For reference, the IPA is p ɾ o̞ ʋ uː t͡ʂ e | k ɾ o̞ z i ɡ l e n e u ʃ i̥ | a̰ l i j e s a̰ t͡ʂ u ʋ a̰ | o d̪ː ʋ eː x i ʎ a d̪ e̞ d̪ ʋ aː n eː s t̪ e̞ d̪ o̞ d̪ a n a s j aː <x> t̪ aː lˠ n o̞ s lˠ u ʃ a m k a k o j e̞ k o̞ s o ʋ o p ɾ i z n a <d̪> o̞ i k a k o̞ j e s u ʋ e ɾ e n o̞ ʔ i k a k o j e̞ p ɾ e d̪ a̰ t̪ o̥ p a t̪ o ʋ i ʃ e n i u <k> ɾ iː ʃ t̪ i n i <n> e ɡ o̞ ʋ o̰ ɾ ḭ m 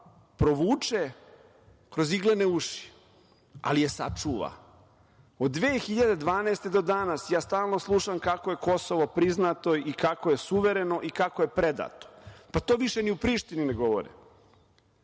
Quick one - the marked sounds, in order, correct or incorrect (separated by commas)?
incorrect, incorrect, incorrect, correct